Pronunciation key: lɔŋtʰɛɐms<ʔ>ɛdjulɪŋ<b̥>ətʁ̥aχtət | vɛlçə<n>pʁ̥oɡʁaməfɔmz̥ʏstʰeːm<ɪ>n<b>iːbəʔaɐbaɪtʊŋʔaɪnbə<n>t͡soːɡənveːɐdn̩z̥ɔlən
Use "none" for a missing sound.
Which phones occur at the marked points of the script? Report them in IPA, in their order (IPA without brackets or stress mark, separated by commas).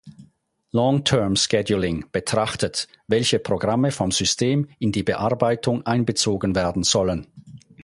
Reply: k, b̥, none, ɪ, d, none